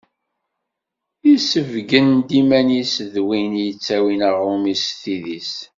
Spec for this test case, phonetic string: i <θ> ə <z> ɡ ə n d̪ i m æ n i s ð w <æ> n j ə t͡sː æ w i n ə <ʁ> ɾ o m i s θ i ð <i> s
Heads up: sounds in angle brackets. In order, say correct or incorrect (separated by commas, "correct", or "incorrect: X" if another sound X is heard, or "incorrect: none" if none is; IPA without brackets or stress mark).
incorrect: s, incorrect: v, incorrect: i, correct, correct